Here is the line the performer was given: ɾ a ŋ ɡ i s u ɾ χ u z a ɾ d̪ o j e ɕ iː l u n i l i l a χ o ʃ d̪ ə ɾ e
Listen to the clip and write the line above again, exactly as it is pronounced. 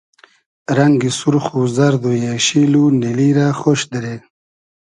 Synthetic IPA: ɾ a ŋ ɡ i s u ɾ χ u z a ɾ d̪ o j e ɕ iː l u n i l i ɾ a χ o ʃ d̪ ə ɾ e